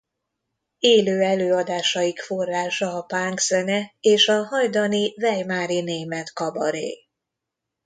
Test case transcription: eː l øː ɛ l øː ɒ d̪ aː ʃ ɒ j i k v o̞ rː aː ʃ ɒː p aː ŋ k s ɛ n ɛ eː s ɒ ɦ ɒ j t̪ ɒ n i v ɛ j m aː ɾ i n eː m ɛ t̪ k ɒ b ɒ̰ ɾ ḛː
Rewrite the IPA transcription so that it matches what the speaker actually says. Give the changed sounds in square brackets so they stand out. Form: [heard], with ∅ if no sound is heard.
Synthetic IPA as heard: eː l øː ɛ l øː ɒ d̪ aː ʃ ɒ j i k [f] o̞ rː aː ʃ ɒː p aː ŋ k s ɛ n ɛ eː [ʃ] ɒ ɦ ɒ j [d̪] ɒ n i v ɛ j m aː ɾ i n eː m ɛ t̪ k ɒ b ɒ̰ ɾ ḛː